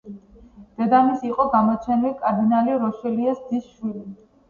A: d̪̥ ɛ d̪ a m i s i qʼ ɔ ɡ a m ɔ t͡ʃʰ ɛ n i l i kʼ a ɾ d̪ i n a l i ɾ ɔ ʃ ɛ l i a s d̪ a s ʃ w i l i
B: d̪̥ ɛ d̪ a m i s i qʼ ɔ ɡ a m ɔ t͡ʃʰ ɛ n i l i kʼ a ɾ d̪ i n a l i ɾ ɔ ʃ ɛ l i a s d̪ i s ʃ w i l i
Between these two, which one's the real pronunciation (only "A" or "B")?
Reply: B